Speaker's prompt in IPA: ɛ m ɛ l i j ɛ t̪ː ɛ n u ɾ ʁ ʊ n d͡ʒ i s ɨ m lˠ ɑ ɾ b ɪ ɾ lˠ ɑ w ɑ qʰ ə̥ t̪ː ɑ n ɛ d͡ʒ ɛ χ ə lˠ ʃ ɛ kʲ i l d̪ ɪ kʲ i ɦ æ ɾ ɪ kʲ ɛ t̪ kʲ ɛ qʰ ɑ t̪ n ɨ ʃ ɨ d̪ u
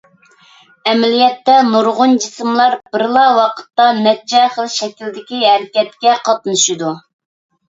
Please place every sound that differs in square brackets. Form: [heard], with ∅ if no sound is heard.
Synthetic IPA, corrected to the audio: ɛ m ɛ l i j ɛ t̪ː ɛ n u ɾ ʁ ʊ n d͡ʒ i s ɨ m lˠ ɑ ɾ b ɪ ɾ lˠ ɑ w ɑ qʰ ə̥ t̪ː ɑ n ɛ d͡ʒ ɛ χ ə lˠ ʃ ɛ kʲ i l d̪ ɪ kʲ i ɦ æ ɾ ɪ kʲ ɛ t̪ kʲ ɛ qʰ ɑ t̪ n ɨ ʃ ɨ d̪ u